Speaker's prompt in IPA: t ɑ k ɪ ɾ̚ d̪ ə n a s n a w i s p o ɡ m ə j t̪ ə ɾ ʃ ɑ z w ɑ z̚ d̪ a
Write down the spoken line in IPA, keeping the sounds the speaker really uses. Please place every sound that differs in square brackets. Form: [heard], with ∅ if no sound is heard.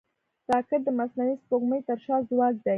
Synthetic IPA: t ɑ k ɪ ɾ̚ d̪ ə [m] a s n a w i s p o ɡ m ə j t̪ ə ɾ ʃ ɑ z w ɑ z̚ d̪ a